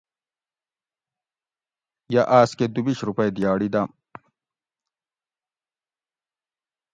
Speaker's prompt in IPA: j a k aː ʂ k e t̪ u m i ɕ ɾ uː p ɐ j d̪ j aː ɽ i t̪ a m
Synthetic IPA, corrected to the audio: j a ʔ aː s k e d̪ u b i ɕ ɾ u p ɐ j d̪ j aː ɽ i d̪ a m